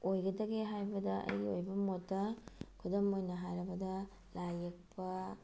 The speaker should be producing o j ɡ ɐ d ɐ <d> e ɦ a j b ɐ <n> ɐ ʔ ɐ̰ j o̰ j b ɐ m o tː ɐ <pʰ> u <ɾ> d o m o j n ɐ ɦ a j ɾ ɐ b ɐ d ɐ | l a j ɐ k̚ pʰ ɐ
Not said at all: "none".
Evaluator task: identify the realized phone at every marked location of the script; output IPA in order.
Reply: ɡ, d, kʰ, none

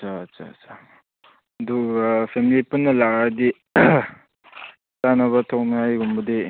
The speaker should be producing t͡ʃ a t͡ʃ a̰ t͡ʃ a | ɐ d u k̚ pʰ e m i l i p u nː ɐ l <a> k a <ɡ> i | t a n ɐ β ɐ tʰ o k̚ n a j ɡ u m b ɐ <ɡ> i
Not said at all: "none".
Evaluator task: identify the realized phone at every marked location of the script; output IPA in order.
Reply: a, d, d

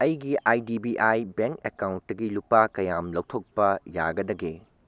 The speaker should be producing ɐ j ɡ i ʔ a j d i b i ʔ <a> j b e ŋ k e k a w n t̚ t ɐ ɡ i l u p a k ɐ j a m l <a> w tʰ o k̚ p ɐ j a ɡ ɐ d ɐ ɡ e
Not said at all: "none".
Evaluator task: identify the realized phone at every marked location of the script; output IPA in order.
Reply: a, ɐ

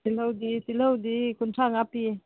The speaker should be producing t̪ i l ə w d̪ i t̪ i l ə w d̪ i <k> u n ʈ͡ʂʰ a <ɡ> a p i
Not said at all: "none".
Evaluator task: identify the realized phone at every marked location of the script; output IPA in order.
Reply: k, ŋ

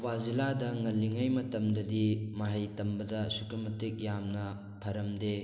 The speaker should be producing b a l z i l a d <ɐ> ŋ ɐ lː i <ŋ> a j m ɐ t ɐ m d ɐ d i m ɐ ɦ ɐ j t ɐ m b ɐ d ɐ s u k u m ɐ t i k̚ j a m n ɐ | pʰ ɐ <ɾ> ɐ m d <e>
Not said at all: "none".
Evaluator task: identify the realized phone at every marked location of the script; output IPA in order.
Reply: ɐ, ŋ, ɾ, e

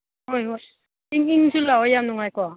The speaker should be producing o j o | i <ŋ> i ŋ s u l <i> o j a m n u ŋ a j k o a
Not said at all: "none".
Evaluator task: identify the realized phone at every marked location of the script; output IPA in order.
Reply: ŋ, a

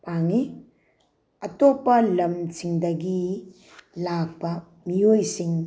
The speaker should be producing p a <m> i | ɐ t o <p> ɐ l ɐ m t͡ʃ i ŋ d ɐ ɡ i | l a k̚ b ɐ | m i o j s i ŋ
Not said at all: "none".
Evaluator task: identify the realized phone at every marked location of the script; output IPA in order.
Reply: ŋ, p

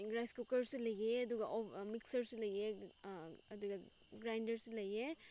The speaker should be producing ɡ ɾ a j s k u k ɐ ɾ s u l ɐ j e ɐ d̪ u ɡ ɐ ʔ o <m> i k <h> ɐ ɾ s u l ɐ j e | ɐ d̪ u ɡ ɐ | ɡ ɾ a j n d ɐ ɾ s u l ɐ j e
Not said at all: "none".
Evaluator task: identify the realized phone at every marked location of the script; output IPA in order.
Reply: m, s

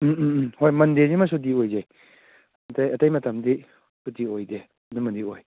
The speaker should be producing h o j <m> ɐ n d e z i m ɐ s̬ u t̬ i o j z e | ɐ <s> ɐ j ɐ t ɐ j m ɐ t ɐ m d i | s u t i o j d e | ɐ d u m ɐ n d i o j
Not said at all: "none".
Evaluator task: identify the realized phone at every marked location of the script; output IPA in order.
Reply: m, t

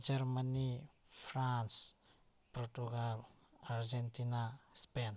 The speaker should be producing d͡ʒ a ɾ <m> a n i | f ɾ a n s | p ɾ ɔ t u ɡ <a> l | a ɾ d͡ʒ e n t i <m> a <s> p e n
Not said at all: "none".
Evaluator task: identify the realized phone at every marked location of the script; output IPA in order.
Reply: m, a, n, s

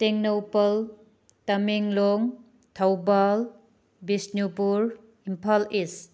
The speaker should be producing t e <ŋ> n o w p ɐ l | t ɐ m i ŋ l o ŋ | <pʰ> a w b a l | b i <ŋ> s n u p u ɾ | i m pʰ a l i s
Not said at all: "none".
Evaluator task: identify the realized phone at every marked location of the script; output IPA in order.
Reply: ŋ, tʰ, none

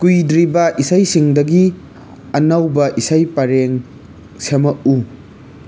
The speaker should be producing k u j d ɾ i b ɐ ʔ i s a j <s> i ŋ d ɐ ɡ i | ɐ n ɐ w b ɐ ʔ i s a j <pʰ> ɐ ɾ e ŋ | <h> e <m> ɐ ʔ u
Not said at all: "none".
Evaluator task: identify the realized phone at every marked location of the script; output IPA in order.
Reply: s, p, s, m

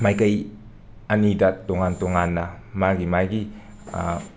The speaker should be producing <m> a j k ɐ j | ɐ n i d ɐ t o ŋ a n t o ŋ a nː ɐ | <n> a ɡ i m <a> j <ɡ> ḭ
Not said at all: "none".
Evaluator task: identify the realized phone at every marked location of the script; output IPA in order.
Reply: m, m, a, ɡ

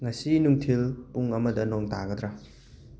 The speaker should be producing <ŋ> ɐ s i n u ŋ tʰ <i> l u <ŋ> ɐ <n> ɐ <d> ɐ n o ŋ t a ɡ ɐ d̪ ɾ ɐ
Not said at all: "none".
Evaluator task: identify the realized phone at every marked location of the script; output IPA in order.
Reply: ŋ, i, ŋ, m, d

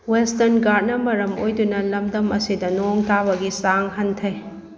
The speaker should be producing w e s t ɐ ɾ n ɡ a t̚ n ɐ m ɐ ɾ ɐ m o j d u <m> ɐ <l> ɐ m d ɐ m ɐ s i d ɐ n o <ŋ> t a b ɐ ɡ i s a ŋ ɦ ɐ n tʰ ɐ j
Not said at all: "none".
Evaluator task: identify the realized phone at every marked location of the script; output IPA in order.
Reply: n, l, ŋ

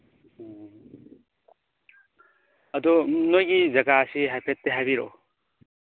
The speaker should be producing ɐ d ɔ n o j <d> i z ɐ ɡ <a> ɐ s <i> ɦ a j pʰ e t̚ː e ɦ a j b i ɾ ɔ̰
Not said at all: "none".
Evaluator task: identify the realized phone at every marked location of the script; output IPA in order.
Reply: ɡ, a, i

